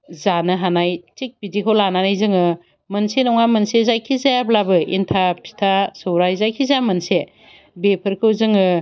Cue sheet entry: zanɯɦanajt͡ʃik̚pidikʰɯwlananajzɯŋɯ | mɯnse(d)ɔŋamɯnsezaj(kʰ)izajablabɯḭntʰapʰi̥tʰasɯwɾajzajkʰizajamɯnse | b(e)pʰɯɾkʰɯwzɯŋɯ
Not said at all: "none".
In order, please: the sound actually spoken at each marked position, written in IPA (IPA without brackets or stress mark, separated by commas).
n, kʰ, e